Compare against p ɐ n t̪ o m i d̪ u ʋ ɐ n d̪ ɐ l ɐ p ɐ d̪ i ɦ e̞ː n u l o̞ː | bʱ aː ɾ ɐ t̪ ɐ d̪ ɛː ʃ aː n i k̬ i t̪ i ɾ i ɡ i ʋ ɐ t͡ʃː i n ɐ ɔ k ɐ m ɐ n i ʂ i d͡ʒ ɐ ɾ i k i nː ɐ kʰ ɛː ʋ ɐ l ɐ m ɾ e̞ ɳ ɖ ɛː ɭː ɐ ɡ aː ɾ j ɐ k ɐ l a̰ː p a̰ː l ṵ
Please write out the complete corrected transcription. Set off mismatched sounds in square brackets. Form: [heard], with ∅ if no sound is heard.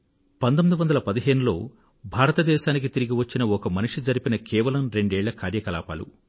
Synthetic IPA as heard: p ɐ n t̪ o m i d̪ u ʋ ɐ n d̪ ɐ l ɐ p ɐ d̪ i ɦ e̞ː n u l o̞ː | bʱ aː ɾ ɐ t̪ ɐ d̪ ɛː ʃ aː n i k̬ i t̪ i ɾ i ɡ i ʋ ɐ t͡ʃː i n ɐ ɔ k ɐ m ɐ n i ʂ i d͡ʒ ɐ ɾ i [p] i [n] ɐ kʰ ɛː ʋ ɐ l ɐ m ɾ e̞ ɳ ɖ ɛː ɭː ɐ [k] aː ɾ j ɐ k ɐ l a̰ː p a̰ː l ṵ